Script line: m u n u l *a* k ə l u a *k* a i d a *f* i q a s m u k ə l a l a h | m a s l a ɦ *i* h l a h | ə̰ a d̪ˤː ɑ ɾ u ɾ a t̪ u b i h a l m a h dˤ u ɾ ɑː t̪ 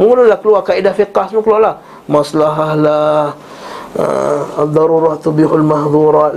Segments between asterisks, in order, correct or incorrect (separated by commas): correct, correct, correct, incorrect